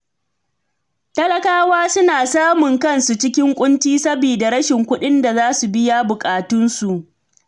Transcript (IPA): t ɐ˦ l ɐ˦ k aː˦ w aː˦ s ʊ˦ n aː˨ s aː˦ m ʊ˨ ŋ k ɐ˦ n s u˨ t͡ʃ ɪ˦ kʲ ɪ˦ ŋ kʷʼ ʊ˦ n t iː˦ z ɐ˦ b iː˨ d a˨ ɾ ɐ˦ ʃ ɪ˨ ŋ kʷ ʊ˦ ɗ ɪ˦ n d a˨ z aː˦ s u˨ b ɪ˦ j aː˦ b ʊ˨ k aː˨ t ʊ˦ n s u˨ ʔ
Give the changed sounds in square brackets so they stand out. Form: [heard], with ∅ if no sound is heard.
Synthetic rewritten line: t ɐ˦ l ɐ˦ k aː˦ w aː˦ s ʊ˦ n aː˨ s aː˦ m ʊ˨ ŋ k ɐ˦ n s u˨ t͡ʃ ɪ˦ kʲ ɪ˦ ŋ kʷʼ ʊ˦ n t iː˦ [s] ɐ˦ b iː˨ d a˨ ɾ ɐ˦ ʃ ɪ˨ ŋ kʷ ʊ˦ ɗ ɪ˦ n d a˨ z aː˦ s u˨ b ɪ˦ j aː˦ b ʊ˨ [kʼ] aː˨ t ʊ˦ n s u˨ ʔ

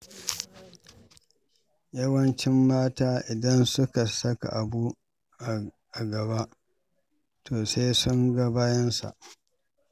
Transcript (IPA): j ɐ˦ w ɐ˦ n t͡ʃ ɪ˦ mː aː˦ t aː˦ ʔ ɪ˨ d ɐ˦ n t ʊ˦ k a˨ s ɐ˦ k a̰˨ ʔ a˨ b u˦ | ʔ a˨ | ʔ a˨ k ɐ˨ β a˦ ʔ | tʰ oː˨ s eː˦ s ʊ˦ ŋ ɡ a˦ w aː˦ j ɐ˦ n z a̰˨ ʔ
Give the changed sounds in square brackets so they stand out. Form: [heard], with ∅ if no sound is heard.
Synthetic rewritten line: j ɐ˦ w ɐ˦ n t͡ʃ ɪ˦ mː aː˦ t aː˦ ʔ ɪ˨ d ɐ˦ n [s] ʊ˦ k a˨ s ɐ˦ k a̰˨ ʔ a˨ b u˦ | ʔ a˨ | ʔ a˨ [ɡ] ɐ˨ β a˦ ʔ | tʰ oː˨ s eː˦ s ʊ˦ ŋ ɡ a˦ [b] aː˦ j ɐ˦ n [s] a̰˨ ʔ

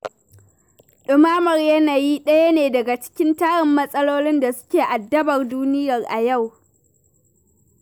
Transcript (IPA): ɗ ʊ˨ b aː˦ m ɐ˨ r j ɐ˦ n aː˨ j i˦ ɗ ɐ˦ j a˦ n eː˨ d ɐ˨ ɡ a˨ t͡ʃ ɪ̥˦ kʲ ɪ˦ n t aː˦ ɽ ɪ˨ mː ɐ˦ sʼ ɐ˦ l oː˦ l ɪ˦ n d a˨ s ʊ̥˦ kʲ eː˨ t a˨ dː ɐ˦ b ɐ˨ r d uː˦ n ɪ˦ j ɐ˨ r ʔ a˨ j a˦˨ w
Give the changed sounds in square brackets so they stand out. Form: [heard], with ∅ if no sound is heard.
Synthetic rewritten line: ɗ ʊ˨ [m] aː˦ m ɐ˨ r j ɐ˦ n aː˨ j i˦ ɗ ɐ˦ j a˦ n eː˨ d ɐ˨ ɡ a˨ t͡ʃ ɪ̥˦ kʲ ɪ˦ n t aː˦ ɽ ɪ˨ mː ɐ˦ sʼ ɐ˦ l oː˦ l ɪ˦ n d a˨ s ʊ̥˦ kʲ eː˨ [ʔ] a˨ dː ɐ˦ b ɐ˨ r d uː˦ n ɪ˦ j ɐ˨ r ʔ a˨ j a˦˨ w

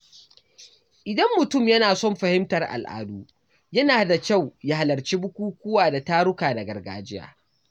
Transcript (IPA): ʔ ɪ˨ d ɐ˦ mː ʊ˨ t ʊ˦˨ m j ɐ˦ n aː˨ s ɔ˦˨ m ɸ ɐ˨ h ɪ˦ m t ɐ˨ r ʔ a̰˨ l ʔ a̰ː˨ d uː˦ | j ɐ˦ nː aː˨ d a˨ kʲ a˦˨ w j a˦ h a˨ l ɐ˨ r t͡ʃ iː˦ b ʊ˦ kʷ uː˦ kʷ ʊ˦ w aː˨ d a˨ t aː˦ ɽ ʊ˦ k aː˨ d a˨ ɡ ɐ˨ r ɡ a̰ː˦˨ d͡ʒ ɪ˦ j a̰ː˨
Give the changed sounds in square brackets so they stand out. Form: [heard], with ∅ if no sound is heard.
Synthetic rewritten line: ʔ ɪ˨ d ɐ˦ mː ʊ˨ t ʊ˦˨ m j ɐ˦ n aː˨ s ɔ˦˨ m ɸ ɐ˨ h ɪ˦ m t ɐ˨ r ʔ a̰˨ l ʔ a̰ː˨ d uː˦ | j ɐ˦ [n] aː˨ d a˨ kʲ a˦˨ w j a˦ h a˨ l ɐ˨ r t͡ʃ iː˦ b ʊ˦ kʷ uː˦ kʷ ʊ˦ w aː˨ d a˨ t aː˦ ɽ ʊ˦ k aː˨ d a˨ ɡ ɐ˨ r ɡ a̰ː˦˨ d͡ʒ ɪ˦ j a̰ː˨

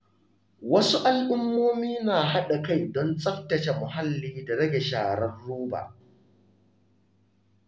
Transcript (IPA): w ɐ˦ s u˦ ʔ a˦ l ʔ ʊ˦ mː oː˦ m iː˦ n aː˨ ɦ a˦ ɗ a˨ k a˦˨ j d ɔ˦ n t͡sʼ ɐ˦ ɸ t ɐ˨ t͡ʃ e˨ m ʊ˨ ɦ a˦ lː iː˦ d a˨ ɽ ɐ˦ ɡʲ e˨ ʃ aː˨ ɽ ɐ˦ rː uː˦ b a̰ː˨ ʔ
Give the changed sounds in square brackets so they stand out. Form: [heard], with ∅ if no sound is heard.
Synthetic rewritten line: w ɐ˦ s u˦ ʔ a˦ l ʔ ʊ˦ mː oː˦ m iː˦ n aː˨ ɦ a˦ ɗ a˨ k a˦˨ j d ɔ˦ n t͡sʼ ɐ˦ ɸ t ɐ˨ t͡ʃ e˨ m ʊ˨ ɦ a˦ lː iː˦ d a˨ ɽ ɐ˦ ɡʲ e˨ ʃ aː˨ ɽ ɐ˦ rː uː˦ b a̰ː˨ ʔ

